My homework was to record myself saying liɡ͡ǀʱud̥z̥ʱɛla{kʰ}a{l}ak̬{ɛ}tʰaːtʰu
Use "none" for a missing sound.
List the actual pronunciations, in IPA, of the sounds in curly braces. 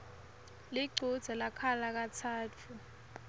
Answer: kʰ, l, a

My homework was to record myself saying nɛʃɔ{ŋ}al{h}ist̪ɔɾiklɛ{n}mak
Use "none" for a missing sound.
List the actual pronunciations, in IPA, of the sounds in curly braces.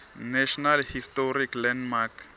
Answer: n, h, n

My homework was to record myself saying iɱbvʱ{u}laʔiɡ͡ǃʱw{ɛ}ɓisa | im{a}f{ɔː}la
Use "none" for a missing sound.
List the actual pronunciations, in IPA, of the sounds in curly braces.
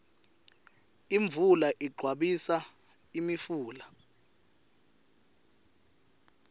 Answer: u, a, i, uː

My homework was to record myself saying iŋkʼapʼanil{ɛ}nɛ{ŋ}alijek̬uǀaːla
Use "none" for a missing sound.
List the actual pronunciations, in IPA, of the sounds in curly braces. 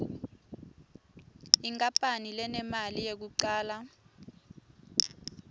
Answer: ɛ, m

